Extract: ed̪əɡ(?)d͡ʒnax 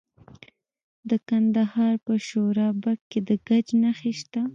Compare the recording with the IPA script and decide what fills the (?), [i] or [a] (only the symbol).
a